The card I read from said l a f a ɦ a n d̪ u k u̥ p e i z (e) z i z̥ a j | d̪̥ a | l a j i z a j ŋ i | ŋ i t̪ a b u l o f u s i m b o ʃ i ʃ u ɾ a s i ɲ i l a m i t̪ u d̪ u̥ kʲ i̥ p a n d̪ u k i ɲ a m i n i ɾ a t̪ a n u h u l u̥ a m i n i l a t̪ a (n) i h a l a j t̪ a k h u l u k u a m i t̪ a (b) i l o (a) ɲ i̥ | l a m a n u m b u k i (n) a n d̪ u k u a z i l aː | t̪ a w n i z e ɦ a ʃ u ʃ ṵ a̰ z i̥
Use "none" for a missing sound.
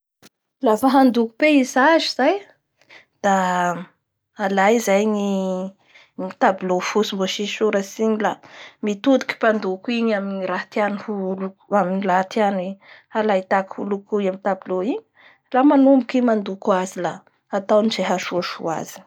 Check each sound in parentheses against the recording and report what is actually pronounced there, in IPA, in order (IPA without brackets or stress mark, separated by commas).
a, n, b, i, m